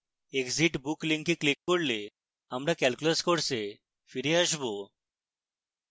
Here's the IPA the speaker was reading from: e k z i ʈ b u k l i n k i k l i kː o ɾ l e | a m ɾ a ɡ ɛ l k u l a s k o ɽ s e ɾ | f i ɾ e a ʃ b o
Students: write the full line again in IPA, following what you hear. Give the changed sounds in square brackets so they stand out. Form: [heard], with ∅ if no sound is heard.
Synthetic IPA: e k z i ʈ b u k l i [ŋ] k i k l i kː o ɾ l e | a m ɾ a [k] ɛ l k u l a s k o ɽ s e [∅] | f i ɾ e a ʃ b o

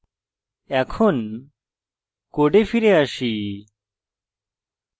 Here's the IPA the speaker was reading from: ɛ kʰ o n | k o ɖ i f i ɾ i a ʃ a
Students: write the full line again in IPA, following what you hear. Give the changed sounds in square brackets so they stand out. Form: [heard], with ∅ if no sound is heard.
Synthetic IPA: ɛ kʰ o n | k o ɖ [e] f i ɾ [e] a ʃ [i]

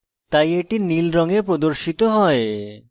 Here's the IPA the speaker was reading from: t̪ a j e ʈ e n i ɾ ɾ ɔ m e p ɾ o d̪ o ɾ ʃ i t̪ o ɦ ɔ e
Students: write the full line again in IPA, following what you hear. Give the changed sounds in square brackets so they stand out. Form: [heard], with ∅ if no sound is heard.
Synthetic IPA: t̪ a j e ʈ [i] n i [l] ɾ ɔ [ŋ] e p ɾ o d̪ o ɾ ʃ i t̪ o ɦ ɔ e

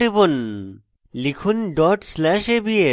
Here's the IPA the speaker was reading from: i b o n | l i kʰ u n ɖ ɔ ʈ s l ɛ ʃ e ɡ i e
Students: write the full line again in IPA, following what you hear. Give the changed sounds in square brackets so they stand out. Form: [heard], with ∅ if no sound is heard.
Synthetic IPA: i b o n | l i kʰ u n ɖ ɔ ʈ s l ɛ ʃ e [b] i e

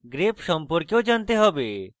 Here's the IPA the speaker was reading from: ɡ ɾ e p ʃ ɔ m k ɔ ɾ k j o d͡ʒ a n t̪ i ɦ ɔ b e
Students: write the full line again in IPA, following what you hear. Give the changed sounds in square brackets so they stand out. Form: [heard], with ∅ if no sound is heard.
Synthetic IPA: ɡ ɾ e p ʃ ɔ m [p] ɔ ɾ k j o d͡ʒ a n t̪ [e] ɦ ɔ b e

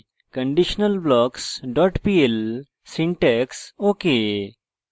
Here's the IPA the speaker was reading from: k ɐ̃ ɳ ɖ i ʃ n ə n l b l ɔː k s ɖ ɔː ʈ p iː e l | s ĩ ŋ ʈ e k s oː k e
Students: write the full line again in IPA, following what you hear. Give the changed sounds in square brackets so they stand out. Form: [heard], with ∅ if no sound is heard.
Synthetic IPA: k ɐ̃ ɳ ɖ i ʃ n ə [∅] l b l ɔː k s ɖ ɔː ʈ p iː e l | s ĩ [ɳ] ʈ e k s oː k e

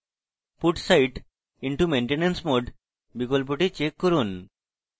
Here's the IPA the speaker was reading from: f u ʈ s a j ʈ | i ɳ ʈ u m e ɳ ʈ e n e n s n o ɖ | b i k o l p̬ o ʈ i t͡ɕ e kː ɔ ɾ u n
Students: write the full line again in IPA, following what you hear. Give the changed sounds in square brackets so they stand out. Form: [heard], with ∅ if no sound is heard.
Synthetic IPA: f u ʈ s a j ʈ | i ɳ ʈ u m e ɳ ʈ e n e n s [m] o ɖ | b i k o l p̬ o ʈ i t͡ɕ e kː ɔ ɾ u n

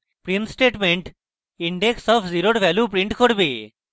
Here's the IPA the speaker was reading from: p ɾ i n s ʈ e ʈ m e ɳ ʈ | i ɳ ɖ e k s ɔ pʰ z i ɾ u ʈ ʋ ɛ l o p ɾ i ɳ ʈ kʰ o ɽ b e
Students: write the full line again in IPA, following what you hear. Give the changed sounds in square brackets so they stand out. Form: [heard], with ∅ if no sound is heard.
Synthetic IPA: p ɾ i n s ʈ e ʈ m e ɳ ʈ | i ɳ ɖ e k s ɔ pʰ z i ɾ [o] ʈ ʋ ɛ l [u] p ɾ i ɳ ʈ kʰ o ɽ b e

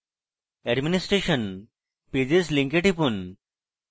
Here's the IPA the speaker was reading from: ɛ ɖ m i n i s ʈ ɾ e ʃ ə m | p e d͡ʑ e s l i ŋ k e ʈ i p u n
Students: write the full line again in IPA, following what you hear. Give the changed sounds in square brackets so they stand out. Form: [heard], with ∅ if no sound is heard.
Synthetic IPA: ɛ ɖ m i n i s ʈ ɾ e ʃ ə [n] | p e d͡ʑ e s l i ŋ k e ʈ i p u n

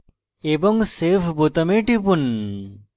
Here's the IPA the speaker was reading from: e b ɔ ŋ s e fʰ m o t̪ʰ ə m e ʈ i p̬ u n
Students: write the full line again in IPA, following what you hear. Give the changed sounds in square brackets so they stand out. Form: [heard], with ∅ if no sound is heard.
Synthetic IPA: e b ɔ ŋ s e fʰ [b] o [t̪] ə m e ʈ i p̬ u n

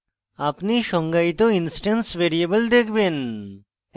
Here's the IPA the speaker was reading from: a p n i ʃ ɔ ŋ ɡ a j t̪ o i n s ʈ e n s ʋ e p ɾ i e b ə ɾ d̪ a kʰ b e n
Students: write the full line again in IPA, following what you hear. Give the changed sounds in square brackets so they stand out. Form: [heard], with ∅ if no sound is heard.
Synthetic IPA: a p n i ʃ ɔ ŋ ɡ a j t̪ o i n s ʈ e n s ʋ e [∅] ɾ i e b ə [l] d̪ [e] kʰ b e n

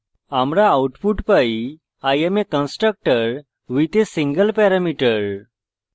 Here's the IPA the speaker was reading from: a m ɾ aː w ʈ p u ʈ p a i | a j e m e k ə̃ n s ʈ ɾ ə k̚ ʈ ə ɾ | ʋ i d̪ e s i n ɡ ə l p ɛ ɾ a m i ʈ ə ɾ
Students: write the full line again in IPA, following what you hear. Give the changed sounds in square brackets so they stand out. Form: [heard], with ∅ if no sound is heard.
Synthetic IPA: a m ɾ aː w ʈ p u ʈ p a i | a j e m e k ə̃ n s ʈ ɾ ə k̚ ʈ ə ɾ | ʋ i [t̪] e s i [ŋ] ɡ ə l p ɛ ɾ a m i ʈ ə ɾ

